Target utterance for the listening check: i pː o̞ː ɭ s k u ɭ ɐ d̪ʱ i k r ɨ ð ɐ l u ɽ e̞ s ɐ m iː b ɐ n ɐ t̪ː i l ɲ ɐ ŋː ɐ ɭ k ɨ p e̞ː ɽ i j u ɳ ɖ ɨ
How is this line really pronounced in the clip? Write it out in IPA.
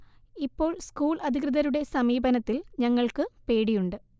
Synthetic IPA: i pː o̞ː ɭ s k uː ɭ ɐ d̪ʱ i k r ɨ ð ɐ ɾ u ɽ e̞ s ɐ m iː b ɐ n ɐ t̪ː i l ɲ ɐ ŋː ɐ ɭ k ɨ p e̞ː ɽ i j u ɳ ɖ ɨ